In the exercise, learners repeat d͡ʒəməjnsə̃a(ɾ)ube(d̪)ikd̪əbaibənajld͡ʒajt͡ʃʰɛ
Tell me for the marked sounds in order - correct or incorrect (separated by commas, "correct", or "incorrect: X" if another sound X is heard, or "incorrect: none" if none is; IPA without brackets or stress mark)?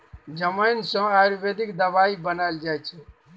correct, correct